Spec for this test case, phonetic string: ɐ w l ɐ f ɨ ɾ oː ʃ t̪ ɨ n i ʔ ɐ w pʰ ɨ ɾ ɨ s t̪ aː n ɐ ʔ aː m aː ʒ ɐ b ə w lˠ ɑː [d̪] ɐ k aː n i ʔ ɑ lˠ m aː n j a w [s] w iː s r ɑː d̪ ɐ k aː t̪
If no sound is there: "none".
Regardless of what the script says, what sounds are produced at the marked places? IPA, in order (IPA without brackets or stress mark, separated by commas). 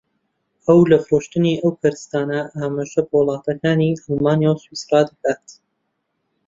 t̪, s